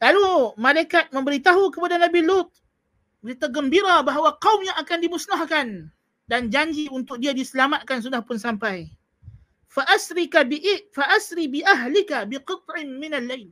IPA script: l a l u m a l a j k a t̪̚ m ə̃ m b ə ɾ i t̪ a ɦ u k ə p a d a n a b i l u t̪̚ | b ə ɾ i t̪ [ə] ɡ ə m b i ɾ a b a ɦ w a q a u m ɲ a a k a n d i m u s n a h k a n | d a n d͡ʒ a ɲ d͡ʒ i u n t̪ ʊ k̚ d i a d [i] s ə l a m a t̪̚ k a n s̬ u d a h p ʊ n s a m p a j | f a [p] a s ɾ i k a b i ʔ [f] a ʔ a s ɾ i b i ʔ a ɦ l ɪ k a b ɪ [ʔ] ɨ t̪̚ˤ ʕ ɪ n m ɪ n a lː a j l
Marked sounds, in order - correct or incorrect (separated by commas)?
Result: incorrect, correct, incorrect, correct, incorrect